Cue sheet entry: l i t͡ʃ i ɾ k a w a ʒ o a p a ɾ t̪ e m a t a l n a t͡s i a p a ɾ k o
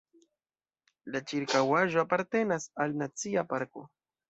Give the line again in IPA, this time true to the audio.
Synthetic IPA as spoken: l a t͡ʃ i ɾ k a w a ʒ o a p a ɾ t̪ e n a s a l n a t͡s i a p a ɾ k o